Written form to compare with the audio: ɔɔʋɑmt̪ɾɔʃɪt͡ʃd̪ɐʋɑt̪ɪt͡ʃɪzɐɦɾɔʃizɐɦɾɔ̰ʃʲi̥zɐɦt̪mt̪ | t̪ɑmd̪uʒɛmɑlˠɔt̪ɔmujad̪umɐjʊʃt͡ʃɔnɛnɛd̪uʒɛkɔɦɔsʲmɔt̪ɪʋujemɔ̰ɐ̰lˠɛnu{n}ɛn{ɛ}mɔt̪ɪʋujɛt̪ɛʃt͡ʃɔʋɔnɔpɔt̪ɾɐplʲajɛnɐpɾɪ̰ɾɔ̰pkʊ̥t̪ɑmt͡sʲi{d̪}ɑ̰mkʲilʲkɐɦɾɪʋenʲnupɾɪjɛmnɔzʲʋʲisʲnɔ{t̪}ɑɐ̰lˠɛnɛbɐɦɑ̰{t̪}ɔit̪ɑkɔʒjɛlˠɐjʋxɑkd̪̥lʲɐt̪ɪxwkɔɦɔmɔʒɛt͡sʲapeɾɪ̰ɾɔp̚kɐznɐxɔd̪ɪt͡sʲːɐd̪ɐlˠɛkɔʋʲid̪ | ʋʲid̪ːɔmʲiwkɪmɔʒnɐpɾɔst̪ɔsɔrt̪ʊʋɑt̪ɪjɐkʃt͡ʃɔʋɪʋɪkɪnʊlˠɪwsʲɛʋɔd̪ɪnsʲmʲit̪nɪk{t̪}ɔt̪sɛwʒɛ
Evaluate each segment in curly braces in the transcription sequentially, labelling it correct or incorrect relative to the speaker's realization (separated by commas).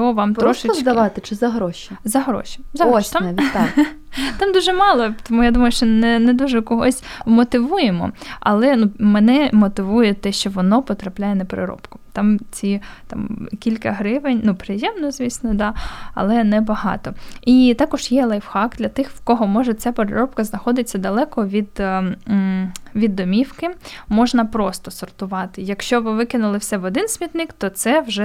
incorrect, correct, incorrect, incorrect, correct, correct